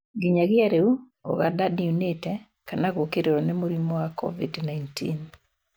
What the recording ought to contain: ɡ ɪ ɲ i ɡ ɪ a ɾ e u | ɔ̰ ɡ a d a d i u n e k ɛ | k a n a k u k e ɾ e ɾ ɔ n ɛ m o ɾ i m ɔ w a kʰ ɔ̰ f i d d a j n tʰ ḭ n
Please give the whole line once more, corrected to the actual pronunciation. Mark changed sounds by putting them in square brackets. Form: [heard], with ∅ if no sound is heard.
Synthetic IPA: ɡ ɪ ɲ [a] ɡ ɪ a ɾ e u | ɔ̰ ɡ a d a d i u n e [t] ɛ | k a n a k [o] k e ɾ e ɾ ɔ n ɛ m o ɾ i m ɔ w a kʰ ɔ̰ [v] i d [n] a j n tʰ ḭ n